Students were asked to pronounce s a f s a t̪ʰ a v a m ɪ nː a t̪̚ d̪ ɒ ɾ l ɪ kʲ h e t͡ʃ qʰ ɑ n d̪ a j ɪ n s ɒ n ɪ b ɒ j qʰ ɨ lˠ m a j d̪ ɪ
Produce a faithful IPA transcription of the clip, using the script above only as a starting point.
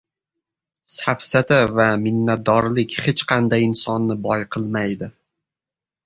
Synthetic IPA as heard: s a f s a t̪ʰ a v a m ɪ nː a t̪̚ d̪ ɒ ɾ l ɪ kʲ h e t͡ʃ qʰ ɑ n d̪ a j ɪ n s ɒ nː ɪ b ɒ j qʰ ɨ lˠ m a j d̪ ɪ